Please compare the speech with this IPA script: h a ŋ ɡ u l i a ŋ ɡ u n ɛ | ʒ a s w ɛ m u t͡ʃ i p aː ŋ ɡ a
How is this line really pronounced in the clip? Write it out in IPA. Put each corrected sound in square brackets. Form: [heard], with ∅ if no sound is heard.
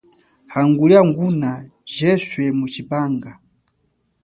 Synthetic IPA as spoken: h a ŋ ɡ u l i a ŋ ɡ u n [a] | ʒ [ɛ] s w ɛ m u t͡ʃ i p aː ŋ ɡ a